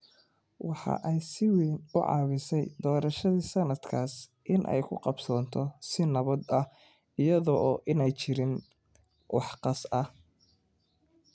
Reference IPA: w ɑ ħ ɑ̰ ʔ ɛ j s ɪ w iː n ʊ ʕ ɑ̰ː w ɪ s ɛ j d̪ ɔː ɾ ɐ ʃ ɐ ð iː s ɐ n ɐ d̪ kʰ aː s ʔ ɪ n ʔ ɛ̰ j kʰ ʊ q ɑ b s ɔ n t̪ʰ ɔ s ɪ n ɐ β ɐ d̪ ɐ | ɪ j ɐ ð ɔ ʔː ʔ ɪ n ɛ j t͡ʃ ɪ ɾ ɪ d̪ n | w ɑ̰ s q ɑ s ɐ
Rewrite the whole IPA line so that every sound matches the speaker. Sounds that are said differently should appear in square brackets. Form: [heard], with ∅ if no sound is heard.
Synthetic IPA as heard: w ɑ ħ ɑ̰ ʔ ɛ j s ɪ w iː n ʊ ʕ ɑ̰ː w ɪ s ɛ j d̪ ɔː ɾ ɐ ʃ ɐ ð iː s ɐ n ɐ d̪ kʰ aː s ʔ ɪ n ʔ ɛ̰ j kʰ ʊ q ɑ b s [ɔː] n t̪ʰ ɔ s ɪ n ɐ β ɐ d̪ ɐ | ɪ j ɐ ð ɔ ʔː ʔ ɪ n ɛ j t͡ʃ ɪ ɾ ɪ [∅] n | w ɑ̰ [ħ] q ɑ s ɐ

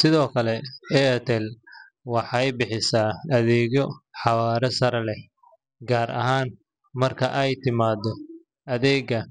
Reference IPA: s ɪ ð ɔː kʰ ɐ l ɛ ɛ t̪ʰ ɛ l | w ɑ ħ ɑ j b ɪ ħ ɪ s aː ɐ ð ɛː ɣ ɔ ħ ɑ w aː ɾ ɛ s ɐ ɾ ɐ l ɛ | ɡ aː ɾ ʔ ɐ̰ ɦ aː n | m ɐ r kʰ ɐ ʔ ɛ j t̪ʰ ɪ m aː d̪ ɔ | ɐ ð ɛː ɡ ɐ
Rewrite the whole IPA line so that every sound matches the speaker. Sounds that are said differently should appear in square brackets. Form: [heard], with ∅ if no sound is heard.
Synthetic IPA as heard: s ɪ ð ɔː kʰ ɐ l ɛ ɛ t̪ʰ ɛ l | w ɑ ħ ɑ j b ɪ ħ ɪ s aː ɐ ð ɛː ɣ ɔ ħ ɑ w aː ɾ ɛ s ɐ ɾ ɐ l ɛ | ɡ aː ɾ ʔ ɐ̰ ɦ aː n | m ɐ r kʰ ɐ ʔ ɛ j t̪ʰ ɪ m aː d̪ ɔ | ɐ ð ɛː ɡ ɐ

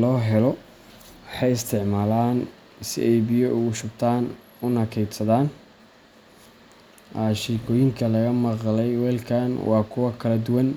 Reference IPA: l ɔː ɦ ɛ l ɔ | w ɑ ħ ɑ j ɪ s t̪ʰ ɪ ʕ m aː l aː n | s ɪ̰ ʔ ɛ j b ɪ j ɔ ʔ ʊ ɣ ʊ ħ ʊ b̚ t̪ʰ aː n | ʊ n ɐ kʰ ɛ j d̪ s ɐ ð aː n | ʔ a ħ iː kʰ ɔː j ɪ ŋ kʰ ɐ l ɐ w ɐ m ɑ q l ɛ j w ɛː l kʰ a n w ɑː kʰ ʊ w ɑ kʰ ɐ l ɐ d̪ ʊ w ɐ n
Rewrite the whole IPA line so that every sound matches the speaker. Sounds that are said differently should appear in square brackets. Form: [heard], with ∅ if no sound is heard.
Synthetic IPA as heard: l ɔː ɦ ɛ l ɔ | w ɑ ħ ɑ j ɪ s t̪ʰ ɪ ʕ m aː l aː n | s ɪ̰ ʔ ɛ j b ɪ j ɔ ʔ ʊ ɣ ʊ [ʃ] ʊ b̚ t̪ʰ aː n | ʊ n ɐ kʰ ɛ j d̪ s ɐ ð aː n | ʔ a [ʃ] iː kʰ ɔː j ɪ ŋ kʰ ɐ l ɐ [ɣ] ɐ m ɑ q l ɛ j w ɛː l kʰ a n w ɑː kʰ ʊ w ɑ kʰ ɐ l ɐ d̪ ʊ w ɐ n

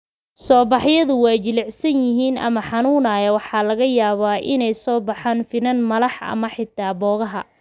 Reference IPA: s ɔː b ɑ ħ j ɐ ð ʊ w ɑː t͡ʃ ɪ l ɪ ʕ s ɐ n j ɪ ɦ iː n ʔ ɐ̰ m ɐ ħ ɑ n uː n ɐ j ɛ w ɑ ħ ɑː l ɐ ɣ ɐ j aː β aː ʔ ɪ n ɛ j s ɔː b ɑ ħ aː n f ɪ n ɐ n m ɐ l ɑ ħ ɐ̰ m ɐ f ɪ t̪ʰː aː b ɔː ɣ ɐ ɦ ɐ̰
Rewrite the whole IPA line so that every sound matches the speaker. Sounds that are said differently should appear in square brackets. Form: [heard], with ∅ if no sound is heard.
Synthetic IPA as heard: s ɔː b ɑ ħ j ɐ ð ʊ w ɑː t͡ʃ ɪ l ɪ ʕ s ɐ n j ɪ ɦ iː n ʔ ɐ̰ m ɐ ħ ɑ n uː n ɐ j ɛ w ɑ ħ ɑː l ɐ ɣ ɐ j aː β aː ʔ ɪ n ɛ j s ɔː b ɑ ħ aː n f ɪ n ɐ n m ɐ l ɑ ħ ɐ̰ m ɐ [ħ] ɪ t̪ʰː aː b ɔː ɣ ɐ ɦ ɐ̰

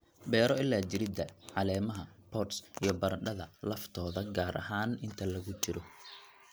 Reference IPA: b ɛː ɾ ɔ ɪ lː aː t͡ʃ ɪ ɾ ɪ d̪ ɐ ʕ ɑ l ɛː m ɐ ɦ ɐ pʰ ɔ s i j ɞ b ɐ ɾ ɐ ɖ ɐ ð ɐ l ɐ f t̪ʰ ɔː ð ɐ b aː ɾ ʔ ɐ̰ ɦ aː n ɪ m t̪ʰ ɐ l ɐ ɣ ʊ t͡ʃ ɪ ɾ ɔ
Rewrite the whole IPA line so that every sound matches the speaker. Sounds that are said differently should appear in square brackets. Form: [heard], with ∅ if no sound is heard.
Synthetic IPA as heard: b ɛː ɾ ɔ ɪ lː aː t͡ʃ ɪ ɾ ɪ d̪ ɐ ʕ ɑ l ɛː m ɐ ɦ ɐ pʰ ɔ s i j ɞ b ɐ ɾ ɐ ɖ ɐ ð ɐ l ɐ f t̪ʰ ɔː ð ɐ [ɡ] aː ɾ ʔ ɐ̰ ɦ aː n ɪ [n] t̪ʰ ɐ l ɐ ɣ ʊ t͡ʃ ɪ ɾ ɔ

